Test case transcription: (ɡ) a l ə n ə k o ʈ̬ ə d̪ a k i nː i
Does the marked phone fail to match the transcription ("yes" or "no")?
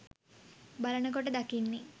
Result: yes